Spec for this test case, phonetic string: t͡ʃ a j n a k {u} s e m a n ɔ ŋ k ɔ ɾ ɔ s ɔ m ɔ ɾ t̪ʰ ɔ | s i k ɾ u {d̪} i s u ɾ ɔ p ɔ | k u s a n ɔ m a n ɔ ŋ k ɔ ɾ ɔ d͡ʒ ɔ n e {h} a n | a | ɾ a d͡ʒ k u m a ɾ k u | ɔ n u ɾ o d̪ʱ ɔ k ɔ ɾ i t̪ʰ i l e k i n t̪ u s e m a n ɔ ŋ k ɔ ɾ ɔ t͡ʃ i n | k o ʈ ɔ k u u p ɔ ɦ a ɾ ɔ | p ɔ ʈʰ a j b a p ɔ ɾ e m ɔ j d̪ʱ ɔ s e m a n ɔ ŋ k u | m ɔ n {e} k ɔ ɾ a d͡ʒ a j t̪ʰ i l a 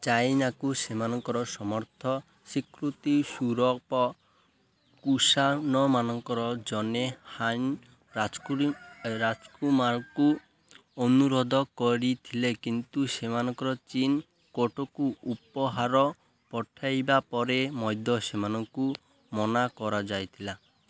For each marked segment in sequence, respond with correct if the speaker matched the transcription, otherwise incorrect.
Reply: correct, incorrect, correct, incorrect

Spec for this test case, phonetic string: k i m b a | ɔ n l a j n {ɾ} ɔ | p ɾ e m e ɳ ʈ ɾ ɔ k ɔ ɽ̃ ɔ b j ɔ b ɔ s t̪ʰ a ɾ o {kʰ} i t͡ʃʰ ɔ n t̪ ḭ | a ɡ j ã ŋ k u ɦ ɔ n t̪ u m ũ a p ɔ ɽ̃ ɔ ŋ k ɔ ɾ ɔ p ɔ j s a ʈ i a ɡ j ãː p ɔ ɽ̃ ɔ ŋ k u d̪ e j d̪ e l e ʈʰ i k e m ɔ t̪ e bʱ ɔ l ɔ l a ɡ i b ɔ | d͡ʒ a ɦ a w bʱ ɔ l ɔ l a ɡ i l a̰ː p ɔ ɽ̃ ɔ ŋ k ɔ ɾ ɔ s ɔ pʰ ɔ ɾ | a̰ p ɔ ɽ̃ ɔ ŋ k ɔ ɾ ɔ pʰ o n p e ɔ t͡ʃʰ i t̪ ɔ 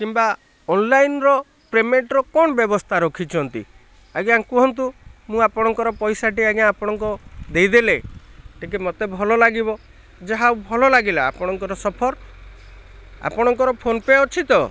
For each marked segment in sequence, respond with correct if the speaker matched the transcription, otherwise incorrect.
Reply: correct, correct

